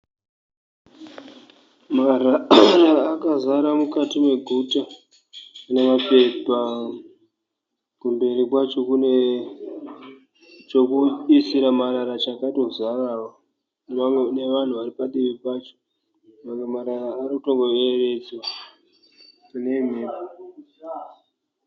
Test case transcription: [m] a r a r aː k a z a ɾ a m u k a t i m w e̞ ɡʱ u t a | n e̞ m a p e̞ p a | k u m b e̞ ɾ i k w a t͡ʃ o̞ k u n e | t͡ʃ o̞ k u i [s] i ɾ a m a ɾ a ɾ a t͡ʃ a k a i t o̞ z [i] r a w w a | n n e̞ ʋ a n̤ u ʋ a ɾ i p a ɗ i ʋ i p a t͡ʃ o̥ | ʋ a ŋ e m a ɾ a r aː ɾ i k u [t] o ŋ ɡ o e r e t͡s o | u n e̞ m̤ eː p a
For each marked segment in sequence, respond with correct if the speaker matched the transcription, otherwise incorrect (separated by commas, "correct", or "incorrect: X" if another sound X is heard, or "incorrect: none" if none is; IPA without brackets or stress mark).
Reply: correct, correct, incorrect: a, correct